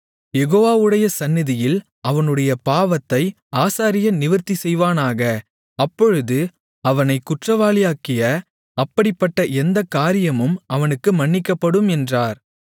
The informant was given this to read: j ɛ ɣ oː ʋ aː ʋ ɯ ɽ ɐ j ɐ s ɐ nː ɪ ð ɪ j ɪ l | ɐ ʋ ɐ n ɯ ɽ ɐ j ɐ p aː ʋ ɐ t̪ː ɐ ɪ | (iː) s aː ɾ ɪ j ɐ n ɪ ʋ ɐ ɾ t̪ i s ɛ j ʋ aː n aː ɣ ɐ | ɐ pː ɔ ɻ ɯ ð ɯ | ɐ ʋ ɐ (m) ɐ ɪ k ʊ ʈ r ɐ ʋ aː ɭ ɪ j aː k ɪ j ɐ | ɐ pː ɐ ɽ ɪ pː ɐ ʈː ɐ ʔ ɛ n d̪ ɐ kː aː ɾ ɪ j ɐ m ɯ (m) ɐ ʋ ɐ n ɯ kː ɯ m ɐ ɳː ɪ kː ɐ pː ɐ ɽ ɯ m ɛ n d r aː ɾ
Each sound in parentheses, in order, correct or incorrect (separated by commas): incorrect, incorrect, correct